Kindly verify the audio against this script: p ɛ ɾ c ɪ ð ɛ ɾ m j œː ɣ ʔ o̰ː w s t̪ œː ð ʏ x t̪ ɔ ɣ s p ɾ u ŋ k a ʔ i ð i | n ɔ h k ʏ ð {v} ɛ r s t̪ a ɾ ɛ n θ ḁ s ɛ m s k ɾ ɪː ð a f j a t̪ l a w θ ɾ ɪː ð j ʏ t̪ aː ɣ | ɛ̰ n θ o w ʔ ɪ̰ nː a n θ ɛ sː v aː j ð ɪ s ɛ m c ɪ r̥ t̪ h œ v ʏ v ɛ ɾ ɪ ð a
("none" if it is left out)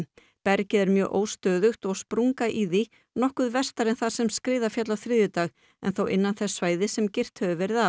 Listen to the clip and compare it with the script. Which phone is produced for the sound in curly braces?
v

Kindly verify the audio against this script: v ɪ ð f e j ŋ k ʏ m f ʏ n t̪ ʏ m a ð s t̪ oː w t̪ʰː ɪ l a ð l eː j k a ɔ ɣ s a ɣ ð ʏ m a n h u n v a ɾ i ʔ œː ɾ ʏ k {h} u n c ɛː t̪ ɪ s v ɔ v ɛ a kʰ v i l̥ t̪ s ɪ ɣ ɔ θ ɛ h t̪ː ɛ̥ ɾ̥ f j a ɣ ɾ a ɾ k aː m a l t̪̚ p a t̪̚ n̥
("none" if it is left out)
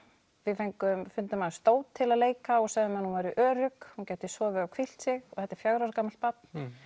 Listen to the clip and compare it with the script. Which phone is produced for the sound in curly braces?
h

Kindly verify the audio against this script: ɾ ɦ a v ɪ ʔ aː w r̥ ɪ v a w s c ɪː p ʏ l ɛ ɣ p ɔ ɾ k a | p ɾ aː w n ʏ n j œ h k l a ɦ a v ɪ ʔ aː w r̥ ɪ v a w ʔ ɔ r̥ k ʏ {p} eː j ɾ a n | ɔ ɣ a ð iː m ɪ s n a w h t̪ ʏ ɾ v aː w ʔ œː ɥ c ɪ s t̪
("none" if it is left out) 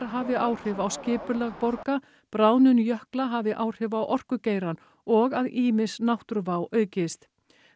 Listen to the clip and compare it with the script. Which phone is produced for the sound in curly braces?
c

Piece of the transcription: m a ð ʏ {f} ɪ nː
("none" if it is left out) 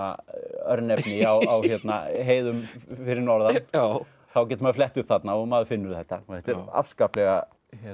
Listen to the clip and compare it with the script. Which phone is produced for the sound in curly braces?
f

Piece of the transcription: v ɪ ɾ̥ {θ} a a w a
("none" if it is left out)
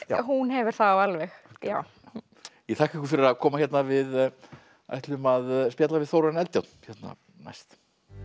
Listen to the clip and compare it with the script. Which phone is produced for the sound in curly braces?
θ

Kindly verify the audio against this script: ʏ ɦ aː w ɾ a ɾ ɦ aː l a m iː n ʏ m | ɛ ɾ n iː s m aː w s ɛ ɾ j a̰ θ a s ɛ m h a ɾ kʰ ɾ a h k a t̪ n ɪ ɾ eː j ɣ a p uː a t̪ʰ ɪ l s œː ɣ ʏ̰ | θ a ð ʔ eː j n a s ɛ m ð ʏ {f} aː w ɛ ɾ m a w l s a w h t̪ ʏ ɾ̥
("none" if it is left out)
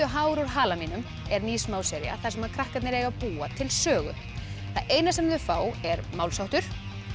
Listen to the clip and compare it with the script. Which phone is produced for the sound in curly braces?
f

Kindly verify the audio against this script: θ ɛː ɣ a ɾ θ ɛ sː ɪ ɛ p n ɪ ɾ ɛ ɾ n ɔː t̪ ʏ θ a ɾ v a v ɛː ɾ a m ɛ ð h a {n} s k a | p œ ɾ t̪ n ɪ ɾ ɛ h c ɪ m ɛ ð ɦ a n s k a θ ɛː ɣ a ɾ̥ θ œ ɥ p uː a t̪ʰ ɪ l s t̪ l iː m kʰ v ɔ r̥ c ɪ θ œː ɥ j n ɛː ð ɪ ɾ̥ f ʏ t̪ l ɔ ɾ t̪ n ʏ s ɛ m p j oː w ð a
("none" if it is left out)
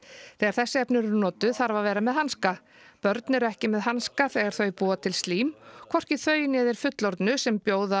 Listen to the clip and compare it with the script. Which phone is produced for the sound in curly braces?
n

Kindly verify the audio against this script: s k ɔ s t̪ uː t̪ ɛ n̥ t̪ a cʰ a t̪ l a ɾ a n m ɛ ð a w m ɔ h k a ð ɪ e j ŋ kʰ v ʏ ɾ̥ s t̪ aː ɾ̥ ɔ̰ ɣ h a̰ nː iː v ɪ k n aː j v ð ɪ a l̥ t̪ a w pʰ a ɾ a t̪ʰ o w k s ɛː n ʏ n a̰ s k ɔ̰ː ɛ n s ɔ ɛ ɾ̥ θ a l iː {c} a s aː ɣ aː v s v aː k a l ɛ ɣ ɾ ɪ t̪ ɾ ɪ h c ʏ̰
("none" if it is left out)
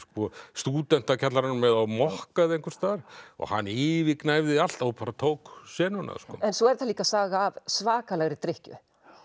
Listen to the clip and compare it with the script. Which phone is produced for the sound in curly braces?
k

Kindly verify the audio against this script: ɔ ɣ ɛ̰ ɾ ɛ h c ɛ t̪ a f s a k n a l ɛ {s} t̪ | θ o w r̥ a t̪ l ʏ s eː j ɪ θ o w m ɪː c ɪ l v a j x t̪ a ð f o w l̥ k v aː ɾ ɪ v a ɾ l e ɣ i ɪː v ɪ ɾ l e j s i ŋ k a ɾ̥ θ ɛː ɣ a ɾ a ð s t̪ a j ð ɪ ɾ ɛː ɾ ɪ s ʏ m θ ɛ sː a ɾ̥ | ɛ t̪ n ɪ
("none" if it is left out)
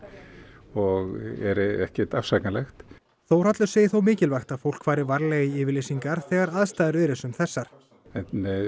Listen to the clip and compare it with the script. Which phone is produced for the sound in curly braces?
x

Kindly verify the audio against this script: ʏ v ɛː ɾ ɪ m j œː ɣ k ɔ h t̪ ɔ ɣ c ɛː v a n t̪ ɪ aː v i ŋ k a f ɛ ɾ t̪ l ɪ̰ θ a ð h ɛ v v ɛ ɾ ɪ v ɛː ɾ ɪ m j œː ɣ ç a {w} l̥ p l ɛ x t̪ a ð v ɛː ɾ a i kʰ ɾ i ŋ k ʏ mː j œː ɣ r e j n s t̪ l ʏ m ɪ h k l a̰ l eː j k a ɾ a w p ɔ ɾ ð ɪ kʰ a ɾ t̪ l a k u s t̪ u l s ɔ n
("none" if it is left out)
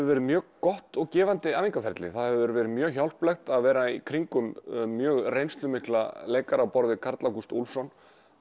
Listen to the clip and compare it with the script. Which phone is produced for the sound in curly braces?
w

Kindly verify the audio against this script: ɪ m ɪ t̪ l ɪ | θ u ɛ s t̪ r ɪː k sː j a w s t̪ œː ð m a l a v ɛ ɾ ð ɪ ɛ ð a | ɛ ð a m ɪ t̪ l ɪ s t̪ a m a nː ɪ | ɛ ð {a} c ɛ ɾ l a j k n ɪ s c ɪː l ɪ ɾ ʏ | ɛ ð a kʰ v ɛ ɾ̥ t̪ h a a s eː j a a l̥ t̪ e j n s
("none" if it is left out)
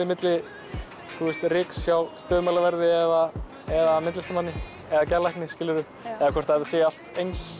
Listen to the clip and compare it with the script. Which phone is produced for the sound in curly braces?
a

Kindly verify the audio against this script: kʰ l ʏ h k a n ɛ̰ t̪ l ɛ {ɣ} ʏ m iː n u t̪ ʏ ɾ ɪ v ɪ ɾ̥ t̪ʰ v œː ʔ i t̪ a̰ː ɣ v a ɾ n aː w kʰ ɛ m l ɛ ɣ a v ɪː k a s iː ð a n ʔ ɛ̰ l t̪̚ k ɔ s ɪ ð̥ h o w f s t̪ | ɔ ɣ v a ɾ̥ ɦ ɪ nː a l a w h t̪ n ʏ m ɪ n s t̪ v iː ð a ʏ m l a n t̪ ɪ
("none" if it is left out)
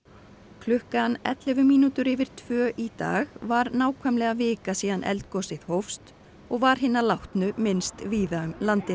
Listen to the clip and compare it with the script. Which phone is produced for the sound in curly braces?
v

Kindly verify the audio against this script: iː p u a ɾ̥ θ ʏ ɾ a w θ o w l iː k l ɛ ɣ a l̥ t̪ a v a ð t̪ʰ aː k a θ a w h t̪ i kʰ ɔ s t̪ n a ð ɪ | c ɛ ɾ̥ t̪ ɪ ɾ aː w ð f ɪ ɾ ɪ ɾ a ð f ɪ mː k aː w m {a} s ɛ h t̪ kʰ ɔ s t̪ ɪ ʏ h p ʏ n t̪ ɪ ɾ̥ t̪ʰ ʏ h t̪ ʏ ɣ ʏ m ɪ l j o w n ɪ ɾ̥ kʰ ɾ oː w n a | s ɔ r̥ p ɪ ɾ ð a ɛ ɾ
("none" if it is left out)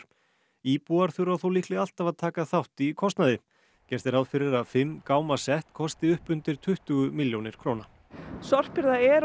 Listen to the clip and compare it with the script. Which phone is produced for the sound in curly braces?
a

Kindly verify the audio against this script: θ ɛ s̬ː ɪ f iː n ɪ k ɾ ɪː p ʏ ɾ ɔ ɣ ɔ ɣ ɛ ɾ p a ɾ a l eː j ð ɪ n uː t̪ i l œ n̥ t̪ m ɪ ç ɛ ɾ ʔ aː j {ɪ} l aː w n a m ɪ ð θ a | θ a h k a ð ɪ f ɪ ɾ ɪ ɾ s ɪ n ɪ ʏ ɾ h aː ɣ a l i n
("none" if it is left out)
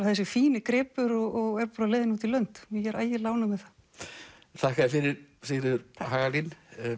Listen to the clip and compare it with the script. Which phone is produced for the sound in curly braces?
ɪ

